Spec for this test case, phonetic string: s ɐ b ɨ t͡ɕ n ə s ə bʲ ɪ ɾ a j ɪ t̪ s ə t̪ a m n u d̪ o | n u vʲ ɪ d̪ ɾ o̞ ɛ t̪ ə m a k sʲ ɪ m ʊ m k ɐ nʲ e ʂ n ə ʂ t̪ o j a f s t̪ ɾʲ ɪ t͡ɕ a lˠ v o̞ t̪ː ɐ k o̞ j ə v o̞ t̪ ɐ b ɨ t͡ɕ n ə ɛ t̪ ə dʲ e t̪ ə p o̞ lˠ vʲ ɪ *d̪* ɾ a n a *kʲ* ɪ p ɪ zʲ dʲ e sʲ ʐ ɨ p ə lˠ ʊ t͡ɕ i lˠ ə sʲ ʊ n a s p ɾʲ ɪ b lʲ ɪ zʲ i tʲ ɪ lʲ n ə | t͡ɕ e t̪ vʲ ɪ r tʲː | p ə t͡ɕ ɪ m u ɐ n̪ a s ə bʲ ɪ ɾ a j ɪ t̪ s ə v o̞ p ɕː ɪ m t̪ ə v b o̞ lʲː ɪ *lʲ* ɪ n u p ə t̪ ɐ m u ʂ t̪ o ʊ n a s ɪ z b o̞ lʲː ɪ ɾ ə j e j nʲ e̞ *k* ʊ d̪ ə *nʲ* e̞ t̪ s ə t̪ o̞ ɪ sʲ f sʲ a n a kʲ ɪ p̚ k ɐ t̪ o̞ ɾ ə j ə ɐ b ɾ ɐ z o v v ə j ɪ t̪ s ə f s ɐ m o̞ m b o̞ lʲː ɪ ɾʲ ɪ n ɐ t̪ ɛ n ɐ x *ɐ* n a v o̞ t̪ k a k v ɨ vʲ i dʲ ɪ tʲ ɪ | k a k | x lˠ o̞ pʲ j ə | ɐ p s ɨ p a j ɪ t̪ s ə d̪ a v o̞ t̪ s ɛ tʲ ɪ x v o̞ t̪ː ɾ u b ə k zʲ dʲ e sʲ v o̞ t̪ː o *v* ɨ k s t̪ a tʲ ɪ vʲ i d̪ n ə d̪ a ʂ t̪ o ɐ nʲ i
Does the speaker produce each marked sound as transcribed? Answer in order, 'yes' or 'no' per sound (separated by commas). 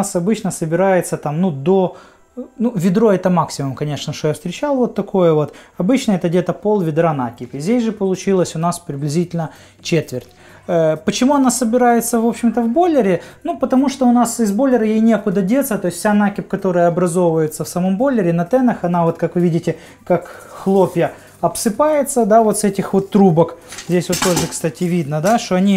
yes, yes, no, yes, no, yes, no